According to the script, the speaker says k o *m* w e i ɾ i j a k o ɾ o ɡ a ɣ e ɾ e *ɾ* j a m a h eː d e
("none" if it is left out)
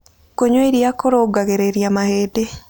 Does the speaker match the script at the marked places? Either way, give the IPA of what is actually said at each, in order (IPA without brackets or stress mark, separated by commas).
ɲ, ɾ